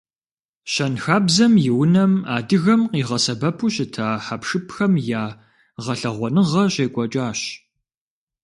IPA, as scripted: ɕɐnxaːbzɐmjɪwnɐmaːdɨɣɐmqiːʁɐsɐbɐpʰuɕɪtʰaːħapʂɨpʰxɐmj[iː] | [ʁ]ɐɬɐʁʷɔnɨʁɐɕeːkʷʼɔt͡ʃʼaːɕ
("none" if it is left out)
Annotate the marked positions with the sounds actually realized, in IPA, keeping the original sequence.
aː, ʁ

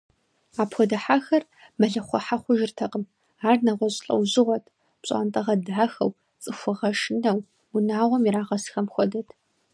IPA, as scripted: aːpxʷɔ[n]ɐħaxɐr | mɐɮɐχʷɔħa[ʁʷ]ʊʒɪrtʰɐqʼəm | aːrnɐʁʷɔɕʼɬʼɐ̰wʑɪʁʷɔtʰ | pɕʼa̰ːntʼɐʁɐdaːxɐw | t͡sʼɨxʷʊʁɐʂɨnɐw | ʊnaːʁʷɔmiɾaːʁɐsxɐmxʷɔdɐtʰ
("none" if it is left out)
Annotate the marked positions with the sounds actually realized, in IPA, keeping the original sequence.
d, χʷ

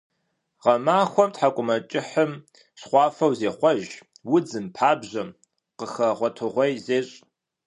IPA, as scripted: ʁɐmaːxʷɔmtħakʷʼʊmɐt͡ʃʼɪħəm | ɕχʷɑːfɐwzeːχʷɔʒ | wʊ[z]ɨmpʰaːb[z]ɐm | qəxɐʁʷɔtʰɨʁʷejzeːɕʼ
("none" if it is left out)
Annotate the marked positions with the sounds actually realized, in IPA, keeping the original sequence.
d͡z, ʑ

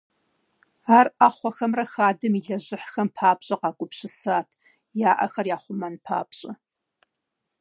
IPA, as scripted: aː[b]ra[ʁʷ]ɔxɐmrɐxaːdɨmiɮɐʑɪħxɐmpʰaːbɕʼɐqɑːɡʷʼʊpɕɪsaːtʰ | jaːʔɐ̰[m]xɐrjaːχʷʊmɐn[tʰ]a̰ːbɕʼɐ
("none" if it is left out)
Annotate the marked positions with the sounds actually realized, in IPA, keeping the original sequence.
none, χʷ, none, pʰ

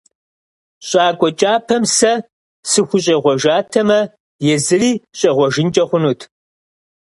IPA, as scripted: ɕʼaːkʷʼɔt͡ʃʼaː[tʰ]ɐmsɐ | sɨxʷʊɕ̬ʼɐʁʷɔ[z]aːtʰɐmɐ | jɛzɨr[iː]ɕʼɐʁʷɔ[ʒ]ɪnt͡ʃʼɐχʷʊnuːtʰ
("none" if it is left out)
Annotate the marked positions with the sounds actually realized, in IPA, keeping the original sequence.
pʰ, ʒ, iː, ʒ

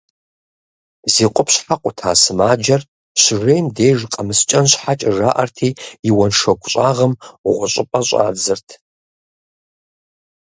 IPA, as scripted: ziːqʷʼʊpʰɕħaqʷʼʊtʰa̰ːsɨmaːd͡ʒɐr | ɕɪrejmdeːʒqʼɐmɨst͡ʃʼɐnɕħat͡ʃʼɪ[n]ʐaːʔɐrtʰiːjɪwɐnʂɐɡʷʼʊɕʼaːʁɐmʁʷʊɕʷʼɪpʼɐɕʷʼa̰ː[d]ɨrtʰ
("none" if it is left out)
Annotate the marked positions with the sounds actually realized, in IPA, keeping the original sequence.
none, d͡z

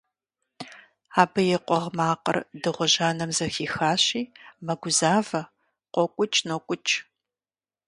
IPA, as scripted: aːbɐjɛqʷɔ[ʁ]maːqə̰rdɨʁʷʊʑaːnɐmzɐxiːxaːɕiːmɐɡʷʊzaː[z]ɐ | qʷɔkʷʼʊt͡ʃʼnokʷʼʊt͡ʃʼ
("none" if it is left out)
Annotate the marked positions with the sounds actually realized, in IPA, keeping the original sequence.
ʁ, v

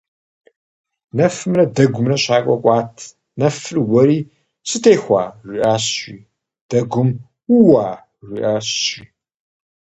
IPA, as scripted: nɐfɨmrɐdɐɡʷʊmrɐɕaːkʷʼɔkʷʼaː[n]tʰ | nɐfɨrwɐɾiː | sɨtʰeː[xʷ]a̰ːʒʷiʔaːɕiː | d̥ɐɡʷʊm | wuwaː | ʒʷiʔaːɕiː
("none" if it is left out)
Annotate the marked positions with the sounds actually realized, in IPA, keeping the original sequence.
none, xʷ

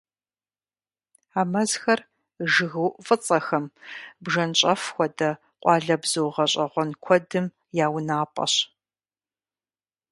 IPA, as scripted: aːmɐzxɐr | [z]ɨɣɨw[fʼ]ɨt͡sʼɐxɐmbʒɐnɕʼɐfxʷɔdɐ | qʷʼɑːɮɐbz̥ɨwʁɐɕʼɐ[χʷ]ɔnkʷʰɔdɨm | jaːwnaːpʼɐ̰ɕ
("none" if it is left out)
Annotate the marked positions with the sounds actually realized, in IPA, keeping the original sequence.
ʒ, fʼ, ʁʷ

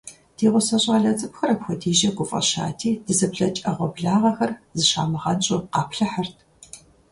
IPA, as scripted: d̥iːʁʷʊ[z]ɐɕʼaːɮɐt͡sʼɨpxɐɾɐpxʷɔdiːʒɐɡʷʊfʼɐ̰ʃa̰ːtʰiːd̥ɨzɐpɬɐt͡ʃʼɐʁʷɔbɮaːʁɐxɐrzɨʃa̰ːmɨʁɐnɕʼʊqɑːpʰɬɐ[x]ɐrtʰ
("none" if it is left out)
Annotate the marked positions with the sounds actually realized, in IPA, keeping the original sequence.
s, ħ

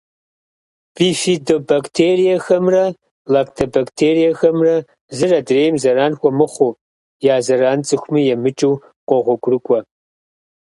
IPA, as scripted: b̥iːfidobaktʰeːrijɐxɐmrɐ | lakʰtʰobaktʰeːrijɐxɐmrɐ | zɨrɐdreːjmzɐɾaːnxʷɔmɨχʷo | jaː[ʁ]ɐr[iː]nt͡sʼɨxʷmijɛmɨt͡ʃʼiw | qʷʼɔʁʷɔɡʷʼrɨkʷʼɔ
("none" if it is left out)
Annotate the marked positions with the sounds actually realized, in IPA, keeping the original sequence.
z, aː

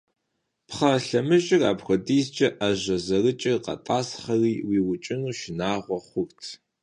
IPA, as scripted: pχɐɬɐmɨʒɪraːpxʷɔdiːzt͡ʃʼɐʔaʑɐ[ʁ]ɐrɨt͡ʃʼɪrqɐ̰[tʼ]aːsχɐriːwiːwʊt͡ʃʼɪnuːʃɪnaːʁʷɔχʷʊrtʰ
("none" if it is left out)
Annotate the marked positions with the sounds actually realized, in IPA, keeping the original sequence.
z, tʼ

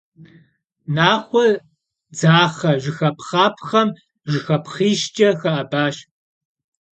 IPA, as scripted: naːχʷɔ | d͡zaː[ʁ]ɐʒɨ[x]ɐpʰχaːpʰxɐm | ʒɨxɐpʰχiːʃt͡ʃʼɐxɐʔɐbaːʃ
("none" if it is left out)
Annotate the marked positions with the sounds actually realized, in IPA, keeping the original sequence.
χ, x

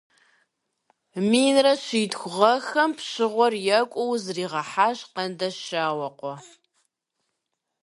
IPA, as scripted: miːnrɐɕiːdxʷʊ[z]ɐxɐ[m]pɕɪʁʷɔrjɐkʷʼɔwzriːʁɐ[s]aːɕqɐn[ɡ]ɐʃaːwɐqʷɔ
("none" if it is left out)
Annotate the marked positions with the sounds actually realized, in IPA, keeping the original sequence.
ʁ, m, ħ, d

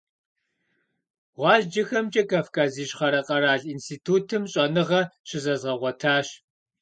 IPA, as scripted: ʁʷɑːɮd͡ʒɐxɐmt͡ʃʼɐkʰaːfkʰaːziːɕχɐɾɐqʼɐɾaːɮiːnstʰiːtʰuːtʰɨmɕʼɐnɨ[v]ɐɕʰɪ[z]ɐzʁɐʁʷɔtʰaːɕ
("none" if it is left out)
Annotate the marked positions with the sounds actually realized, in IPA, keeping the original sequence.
ʁ, z

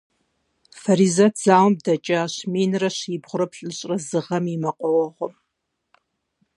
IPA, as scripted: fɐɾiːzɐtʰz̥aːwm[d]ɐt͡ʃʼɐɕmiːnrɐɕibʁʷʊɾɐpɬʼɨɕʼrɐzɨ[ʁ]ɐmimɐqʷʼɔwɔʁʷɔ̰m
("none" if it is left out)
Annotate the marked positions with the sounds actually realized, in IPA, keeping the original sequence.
d, ʁ

